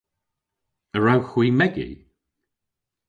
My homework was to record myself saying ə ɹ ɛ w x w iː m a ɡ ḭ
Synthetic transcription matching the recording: ə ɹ a w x w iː m ɛ ɡ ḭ